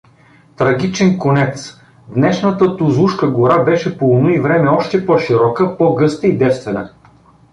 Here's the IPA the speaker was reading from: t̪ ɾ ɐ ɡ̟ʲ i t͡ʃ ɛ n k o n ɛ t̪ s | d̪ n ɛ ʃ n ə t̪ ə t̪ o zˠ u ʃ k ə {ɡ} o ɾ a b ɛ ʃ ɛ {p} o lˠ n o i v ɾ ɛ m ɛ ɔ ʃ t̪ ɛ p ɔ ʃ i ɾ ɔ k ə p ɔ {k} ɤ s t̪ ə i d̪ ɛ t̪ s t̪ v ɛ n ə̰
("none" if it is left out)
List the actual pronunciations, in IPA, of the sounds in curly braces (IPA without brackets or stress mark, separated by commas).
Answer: ɡ, p, ɡ